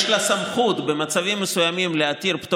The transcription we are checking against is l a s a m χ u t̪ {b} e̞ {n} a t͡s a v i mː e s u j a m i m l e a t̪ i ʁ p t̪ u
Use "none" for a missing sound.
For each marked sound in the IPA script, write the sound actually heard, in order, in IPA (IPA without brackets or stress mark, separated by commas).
b, m